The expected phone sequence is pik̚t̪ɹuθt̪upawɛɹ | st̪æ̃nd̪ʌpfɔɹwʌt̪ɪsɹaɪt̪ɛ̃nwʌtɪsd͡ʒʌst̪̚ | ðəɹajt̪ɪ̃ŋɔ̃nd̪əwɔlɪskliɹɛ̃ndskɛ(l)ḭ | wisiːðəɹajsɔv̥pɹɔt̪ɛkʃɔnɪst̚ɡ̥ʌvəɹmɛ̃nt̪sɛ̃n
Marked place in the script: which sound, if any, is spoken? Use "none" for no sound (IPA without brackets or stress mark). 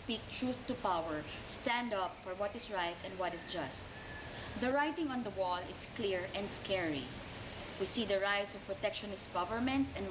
ɹ